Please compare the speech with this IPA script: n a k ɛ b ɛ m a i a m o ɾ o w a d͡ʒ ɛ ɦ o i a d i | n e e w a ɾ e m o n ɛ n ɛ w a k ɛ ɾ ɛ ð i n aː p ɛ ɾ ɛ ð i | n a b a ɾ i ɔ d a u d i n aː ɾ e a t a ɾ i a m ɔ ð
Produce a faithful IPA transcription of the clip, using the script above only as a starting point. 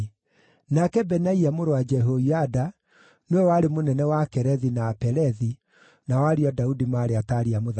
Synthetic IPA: n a k ɛ b ɛ n a i a m o ɾ o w a d͡ʒ ɛ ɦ o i a d a | n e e w a ɾ e m o n ɛ n ɛ w a k ɛ ɾ ɛ ð i n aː p ɛ ɾ ɛ ð i | n a w a ɾ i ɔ d a u d i m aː ɾ e a t a ɾ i a m o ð